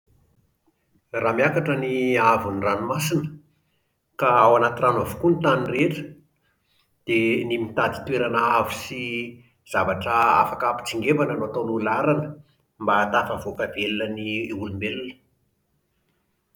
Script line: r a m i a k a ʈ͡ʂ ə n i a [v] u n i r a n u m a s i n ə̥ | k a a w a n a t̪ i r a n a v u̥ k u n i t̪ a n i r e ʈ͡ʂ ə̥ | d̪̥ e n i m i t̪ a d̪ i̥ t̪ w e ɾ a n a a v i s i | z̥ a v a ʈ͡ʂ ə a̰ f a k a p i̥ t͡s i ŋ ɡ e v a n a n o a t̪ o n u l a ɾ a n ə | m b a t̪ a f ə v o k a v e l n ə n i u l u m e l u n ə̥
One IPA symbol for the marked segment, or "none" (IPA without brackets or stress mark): v